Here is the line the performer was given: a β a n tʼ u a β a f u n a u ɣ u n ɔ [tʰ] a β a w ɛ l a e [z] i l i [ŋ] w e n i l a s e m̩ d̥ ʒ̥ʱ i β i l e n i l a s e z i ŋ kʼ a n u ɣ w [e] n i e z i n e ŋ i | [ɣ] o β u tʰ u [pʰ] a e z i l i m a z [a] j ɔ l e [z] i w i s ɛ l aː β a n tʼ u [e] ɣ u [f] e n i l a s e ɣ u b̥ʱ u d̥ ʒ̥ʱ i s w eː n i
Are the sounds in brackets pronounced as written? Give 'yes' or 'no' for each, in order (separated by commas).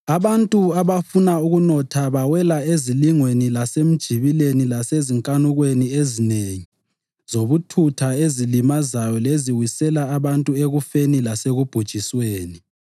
yes, yes, yes, yes, no, no, yes, yes, yes, yes